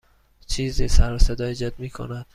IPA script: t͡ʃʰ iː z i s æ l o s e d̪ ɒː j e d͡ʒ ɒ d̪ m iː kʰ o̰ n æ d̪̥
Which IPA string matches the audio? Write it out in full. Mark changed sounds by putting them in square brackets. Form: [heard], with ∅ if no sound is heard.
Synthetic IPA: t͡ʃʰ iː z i s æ [ɾ] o s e d̪ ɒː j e d͡ʒ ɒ d̪ m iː kʰ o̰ n æ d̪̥